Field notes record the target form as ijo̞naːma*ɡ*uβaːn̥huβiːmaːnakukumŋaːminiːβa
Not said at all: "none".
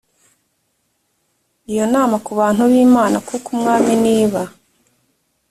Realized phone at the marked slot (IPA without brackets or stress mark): k